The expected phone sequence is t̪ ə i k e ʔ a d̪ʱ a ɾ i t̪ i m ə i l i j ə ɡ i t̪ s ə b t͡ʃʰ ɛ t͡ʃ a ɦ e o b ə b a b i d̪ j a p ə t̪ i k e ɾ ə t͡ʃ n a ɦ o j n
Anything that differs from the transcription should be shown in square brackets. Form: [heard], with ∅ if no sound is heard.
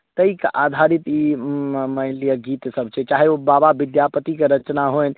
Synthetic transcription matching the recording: t̪ ə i k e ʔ a d̪ʱ a ɾ i t̪ i m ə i l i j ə ɡ i t̪ s ə b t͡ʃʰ ɛ t͡ʃ a ɦ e o b [a] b a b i d̪ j a p ə t̪ i k e ɾ ə t͡ʃ n a ɦ o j n